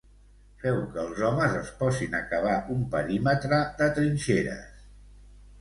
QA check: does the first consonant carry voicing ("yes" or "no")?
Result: no